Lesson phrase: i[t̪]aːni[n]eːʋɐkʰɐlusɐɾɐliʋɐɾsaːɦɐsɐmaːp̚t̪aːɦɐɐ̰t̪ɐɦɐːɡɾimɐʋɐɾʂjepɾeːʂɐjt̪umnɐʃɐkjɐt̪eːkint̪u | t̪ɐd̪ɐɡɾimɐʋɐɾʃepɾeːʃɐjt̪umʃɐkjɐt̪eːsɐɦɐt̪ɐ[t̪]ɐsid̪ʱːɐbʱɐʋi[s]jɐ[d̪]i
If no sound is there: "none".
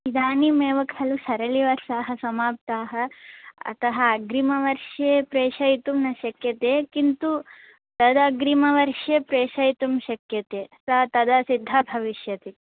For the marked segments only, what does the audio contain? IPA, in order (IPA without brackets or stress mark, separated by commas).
d̪, m, d̪, ʃ, t̪